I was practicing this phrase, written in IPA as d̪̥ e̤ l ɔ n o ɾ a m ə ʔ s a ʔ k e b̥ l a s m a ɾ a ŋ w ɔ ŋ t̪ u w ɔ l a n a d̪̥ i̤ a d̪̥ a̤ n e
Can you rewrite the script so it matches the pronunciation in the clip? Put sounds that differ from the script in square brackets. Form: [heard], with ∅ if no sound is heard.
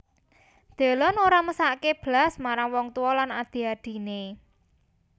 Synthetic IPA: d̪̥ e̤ l ɔ n o ɾ a m ə [∅] s a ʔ k e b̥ l a s m a ɾ a ŋ w ɔ ŋ t̪ u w ɔ l a n a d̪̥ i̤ a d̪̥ [i̤] n e